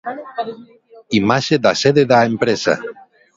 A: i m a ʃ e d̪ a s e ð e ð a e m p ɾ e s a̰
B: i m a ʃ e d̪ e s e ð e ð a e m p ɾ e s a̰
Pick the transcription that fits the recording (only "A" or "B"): A